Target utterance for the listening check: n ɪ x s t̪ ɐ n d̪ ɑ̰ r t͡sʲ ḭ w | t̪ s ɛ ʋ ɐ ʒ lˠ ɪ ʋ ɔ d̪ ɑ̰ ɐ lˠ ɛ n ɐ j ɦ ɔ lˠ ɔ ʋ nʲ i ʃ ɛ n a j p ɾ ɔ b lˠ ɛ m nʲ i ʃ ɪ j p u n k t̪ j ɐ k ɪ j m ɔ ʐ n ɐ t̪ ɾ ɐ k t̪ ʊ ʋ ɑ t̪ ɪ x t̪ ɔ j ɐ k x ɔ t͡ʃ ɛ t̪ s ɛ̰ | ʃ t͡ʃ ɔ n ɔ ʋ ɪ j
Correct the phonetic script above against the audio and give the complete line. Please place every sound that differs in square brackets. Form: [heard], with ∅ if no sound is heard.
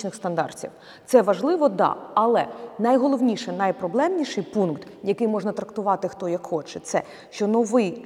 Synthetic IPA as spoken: n ɪ x s t̪ ɐ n d̪ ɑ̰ r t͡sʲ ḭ w | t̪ s ɛ ʋ ɐ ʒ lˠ ɪ ʋ ɔ d̪ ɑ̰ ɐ lˠ ɛ n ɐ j ɦ ɔ lˠ ɔ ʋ nʲ i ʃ ɛ n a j p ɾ ɔ b lˠ ɛ m nʲ i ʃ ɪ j p u n k t̪ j ɐ k ɪ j m ɔ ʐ n ɐ t̪ ɾ ɐ k t̪ ʊ ʋ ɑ t̪ ɪ x t̪ ɔ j ɐ k x ɔ t͡ʃ ɛ t̪ s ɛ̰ | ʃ t͡ʃ ɔ n ɔ ʋ ɪ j